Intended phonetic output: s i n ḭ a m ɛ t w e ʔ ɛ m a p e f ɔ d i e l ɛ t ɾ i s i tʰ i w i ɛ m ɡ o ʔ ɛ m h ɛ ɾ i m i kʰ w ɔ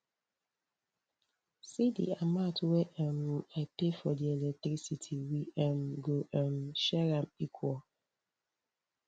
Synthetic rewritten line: s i d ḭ a m a t w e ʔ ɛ m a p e f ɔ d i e l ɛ t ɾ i s i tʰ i w i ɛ m ɡ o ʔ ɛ m ʃ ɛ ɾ a m i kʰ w ɔ